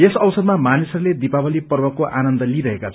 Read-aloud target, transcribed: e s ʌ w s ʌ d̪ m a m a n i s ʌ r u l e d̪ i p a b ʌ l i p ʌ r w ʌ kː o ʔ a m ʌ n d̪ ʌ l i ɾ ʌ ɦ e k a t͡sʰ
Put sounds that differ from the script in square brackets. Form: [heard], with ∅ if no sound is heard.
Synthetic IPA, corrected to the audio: e s ʌ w s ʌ d̪ m a m a n i s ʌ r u l e d̪ i p a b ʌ l i p ʌ r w ʌ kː o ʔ a [n] ʌ n d̪ ʌ l i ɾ ʌ ɦ e k a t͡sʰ